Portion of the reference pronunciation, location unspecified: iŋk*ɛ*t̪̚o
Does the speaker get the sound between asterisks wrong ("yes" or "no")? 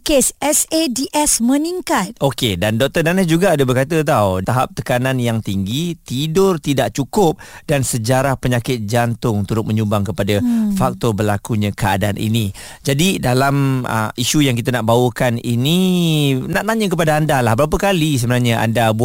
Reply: yes